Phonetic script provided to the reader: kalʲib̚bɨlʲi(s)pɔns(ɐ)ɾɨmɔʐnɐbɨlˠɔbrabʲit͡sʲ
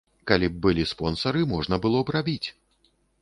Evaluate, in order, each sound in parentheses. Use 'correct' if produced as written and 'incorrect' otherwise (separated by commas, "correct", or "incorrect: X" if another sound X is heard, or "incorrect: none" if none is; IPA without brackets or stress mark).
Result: correct, correct